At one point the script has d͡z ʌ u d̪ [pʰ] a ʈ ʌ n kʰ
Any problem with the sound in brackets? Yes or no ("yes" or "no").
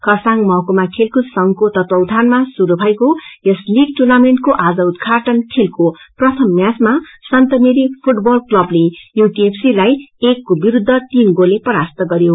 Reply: yes